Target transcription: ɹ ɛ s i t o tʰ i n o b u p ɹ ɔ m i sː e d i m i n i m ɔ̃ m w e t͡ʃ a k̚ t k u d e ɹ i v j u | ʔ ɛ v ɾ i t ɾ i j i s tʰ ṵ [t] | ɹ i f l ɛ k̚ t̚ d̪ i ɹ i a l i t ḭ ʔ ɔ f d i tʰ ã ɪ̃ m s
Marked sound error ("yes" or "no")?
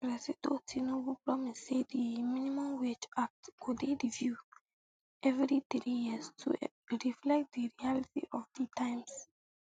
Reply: yes